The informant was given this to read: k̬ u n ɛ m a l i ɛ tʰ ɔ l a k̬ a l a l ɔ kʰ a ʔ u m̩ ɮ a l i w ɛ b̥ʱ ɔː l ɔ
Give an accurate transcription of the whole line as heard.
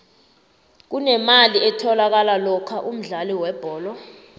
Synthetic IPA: k̬ u n ɛ m a l i ɛ tʰ ɔ l a k̬ a l a l ɔ kʰ a ʔ u m̩ ɮ a l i w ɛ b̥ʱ ɔː l ɔ